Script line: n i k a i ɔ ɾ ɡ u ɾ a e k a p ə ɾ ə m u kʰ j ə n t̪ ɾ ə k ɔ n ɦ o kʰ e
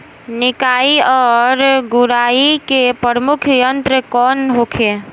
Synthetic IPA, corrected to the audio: n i k a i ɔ ɾ ɡ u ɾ a i k e p ə ɾ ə m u kʰ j ə n t̪ ɾ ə k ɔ n ɦ o kʰ e